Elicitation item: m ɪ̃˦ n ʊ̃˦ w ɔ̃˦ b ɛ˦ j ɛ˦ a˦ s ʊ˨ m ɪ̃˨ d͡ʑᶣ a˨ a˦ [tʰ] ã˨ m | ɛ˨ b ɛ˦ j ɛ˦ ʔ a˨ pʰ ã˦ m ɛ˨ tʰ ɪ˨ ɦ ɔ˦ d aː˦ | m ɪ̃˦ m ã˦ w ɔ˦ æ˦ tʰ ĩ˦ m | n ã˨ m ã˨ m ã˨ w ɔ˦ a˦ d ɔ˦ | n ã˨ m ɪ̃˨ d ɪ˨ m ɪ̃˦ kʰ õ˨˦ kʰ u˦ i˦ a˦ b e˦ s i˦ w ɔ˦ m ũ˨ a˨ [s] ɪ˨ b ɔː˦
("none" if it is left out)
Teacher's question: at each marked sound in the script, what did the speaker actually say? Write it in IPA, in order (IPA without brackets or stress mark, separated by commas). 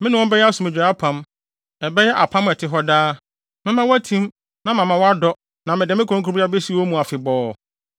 pʰ, f